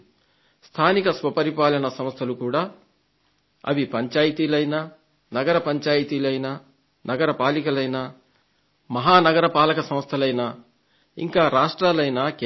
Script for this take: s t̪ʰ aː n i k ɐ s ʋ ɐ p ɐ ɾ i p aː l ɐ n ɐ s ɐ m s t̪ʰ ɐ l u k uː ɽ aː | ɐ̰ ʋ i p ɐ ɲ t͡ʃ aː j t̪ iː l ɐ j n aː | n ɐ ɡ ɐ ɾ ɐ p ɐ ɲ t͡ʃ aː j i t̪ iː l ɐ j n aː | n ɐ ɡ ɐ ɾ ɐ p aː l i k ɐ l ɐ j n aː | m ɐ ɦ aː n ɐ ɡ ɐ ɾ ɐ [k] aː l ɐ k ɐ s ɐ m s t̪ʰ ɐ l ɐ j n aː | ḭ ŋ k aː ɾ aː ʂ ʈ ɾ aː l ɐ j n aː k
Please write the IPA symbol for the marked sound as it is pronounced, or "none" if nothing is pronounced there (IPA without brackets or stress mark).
p